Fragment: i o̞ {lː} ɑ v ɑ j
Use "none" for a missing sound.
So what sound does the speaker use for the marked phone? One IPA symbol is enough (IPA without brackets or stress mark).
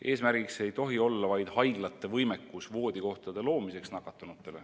lː